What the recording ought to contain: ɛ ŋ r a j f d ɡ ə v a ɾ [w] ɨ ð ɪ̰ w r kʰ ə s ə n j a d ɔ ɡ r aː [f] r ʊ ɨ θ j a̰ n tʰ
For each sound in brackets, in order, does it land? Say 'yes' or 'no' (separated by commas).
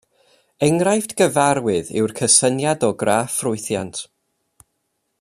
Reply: yes, yes